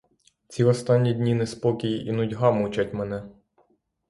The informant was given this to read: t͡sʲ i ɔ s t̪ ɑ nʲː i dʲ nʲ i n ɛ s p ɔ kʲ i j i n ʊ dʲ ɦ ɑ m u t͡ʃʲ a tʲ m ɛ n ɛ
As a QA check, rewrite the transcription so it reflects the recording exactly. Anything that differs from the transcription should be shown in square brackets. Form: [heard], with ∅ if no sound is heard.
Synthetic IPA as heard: t͡sʲ i ɔ s t̪ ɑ nʲː i dʲ nʲ i n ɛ s p ɔ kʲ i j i n ʊ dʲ ɦ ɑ m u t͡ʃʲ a tʲ m ɛ n ɛ